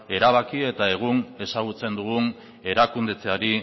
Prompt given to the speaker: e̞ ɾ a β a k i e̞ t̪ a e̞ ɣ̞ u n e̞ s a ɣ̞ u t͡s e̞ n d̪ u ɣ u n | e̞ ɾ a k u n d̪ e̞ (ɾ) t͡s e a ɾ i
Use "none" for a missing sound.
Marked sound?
none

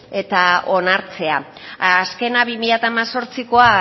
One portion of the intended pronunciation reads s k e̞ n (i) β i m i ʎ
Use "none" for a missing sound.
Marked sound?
a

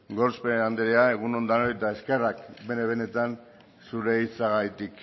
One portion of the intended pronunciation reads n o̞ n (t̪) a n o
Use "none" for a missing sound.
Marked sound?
d̪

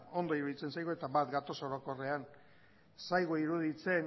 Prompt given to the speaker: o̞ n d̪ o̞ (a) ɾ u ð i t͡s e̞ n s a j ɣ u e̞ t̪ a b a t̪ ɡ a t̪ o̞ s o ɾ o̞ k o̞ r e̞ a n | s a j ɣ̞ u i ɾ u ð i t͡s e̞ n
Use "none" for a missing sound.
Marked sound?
i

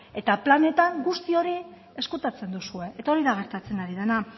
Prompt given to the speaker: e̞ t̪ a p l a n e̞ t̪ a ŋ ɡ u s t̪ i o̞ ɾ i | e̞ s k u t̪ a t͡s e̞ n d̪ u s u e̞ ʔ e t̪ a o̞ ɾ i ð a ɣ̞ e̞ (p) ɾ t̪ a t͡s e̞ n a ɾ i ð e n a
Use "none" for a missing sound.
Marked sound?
none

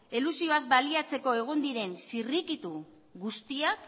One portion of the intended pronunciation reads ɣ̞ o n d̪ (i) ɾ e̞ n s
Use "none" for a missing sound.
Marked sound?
i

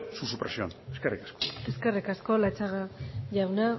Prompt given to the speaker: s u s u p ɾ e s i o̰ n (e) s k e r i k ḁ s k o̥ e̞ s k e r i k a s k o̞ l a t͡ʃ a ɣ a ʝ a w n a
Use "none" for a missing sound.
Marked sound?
e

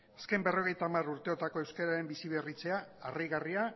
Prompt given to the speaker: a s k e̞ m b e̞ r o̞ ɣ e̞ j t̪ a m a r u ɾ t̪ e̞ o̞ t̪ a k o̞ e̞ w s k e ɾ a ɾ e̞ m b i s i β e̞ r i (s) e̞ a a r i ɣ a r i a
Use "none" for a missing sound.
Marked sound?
t͡s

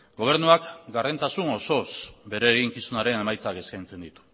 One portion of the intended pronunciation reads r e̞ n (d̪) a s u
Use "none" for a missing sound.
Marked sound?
t̪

